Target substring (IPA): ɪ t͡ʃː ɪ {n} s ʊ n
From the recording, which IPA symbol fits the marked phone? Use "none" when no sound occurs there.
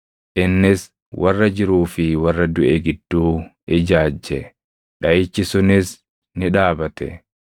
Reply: none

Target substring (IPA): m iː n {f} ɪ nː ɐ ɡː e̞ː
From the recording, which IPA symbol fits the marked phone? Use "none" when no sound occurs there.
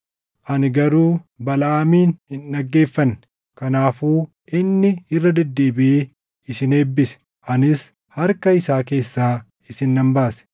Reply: h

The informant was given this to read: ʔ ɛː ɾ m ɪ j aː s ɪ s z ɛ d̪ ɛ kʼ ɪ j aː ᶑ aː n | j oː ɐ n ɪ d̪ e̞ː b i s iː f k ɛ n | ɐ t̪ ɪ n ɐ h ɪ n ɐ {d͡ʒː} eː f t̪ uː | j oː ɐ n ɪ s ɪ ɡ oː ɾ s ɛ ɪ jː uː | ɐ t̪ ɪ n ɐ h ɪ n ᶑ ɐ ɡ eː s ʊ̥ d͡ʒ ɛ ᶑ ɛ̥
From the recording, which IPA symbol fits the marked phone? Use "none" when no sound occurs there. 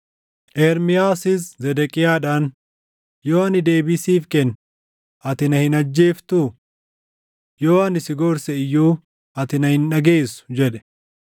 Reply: d͡ʒː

